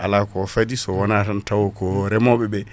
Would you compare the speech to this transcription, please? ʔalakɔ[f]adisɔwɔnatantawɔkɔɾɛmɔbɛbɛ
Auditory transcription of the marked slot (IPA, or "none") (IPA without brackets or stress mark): f